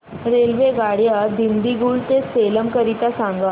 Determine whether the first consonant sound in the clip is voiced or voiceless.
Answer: voiced